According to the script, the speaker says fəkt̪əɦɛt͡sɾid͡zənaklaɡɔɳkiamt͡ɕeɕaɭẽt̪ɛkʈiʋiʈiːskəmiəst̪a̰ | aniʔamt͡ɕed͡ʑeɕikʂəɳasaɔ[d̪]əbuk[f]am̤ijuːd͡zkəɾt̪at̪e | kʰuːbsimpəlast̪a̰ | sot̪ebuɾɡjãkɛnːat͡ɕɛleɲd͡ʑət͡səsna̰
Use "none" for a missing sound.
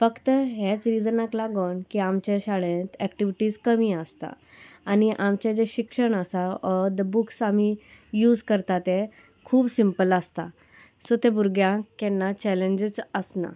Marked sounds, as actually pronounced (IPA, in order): d̪, s

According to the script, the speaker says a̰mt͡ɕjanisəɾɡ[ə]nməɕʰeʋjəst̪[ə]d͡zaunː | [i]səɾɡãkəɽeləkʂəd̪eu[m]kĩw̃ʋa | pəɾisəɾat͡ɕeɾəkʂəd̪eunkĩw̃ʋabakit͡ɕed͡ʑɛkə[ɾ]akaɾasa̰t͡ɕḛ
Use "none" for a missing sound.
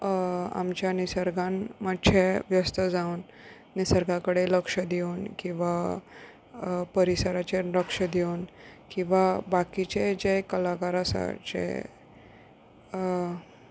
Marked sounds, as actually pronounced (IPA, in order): a, ə, i, n, l

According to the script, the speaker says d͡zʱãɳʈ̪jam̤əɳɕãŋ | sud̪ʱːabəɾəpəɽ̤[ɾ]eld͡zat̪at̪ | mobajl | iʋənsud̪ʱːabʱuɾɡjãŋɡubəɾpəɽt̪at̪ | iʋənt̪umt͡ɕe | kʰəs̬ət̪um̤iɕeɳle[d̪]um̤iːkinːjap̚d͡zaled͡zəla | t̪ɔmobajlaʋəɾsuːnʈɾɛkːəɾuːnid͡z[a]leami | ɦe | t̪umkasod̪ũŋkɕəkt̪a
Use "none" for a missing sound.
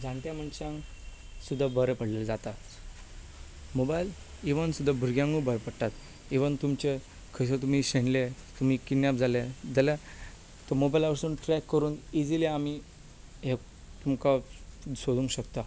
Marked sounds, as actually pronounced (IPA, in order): l, t̪, i

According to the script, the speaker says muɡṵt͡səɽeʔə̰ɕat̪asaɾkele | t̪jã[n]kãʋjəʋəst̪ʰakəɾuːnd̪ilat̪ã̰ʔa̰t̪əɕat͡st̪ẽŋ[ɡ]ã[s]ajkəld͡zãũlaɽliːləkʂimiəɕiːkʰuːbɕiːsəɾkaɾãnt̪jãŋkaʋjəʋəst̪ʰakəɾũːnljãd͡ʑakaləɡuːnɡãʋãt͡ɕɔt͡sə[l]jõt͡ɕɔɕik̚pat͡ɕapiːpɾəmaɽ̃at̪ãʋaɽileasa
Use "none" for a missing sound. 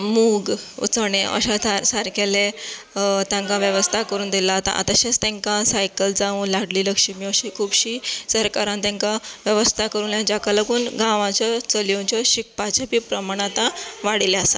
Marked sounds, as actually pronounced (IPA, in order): ŋ, k, s, l

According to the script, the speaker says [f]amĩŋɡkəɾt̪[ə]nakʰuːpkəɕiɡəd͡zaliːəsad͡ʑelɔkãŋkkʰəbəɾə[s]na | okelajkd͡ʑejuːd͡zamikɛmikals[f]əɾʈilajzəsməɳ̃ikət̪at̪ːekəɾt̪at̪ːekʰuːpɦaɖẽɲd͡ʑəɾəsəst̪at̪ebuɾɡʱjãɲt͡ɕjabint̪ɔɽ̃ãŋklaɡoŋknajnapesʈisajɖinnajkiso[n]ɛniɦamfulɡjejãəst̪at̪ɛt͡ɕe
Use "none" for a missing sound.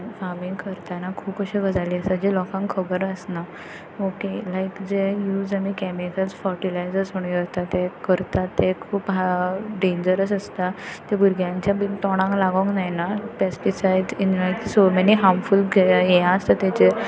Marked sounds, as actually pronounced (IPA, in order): f, a, s, f, m

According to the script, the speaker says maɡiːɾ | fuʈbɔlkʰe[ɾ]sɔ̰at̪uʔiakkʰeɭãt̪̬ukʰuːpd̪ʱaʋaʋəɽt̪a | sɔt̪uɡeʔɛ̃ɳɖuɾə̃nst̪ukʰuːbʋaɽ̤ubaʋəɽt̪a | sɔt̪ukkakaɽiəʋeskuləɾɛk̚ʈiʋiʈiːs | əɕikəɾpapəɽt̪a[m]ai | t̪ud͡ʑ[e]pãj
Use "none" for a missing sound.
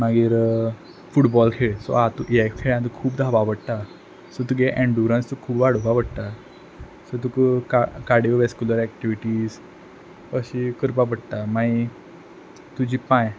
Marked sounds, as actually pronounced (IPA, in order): ɭ, m, i

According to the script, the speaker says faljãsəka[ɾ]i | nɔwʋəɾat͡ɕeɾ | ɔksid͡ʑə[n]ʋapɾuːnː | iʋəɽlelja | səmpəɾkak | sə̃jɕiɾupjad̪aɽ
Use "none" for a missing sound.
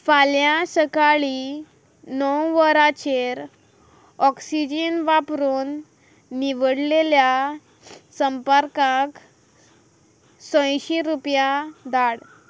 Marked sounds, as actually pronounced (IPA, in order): ɭ, n

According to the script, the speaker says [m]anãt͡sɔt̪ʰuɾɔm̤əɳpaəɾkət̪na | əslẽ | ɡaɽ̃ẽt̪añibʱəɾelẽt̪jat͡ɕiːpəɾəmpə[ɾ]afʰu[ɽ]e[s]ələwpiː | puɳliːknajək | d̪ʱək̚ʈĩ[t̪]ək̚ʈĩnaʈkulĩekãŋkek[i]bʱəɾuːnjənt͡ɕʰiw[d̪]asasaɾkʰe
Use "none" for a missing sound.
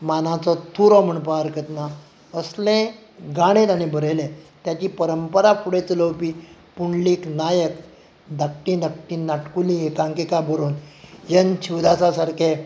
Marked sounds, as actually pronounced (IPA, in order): m, ɾ, ɽ, t͡s, d̪, a, d̪

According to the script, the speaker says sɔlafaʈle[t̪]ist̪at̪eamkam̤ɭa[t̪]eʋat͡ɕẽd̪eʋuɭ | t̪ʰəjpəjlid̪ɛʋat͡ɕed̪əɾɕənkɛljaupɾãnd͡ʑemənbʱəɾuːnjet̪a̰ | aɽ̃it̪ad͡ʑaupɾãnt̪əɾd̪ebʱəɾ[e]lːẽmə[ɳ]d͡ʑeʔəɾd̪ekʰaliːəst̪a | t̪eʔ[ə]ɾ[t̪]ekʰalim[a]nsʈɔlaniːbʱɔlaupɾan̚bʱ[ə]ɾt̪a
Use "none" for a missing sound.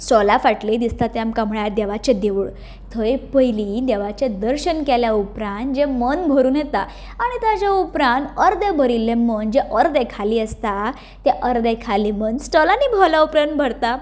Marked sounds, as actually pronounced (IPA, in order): d̪, d̪, i, n, ə, d̪, ə, ə

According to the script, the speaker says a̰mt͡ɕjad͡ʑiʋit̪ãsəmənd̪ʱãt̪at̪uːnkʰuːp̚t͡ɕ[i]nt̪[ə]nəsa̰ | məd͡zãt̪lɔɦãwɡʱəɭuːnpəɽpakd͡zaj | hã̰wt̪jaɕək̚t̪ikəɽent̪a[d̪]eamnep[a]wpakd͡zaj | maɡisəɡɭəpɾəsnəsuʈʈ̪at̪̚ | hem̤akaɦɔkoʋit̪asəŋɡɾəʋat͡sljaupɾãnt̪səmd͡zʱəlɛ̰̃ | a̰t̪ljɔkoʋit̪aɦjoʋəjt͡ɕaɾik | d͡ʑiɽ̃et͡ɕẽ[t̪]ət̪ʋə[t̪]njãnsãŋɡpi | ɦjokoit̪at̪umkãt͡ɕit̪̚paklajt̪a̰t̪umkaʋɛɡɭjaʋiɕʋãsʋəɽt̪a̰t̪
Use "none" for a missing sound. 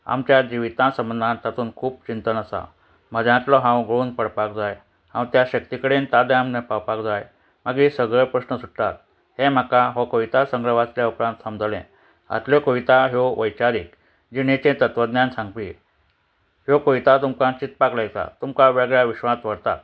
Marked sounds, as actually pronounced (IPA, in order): i, ə, d̪, a, t̪, d̪

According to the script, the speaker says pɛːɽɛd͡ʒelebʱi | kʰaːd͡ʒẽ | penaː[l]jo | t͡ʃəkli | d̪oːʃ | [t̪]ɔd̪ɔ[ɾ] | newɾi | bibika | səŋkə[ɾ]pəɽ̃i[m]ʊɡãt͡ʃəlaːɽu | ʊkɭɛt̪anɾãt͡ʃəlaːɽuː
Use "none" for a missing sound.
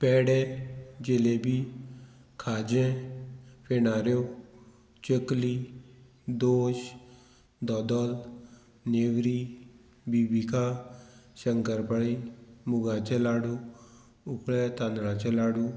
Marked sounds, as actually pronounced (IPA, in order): ɾ, d̪, l, ɾ, m

